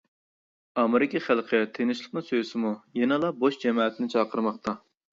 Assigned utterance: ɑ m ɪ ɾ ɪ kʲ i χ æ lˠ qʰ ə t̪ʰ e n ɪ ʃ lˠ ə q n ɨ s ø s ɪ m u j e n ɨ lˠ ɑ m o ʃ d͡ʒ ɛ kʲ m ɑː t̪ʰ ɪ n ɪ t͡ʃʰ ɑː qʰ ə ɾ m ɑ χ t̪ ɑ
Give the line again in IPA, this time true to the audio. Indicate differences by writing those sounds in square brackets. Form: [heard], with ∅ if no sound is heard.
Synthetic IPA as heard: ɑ m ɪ ɾ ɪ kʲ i χ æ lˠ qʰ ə t̪ʰ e n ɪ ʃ lˠ ə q n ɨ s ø s ɪ m u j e n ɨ lˠ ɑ [b] o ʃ d͡ʒ ɛ [∅] m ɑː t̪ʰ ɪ n ɪ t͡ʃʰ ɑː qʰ ə ɾ m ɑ χ t̪ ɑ